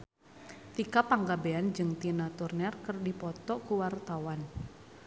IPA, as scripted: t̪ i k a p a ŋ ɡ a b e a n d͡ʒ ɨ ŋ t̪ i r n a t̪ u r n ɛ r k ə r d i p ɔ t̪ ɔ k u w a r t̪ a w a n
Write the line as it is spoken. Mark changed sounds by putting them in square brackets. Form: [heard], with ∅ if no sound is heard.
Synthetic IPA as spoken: t̪ i k a p a ŋ ɡ a b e a n d͡ʒ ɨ ŋ t̪ i [∅] n a t̪ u r n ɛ r k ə r d i p ɔ t̪ ɔ k u w a r t̪ a w a n